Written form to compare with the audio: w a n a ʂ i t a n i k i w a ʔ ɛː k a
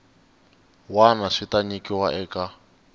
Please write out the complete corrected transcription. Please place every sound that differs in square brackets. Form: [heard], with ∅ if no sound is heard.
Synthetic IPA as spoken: w a n a ʂ i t a [ɲ] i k i w a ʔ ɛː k a